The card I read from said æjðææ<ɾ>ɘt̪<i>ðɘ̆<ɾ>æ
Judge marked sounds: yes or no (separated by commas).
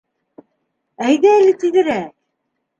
no, yes, yes